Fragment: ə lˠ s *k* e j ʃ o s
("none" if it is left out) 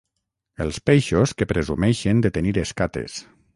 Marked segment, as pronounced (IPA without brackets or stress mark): p